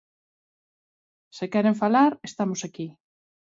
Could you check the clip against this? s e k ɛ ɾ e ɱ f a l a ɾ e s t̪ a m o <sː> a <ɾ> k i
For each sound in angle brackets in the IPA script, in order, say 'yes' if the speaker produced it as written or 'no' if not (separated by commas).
no, no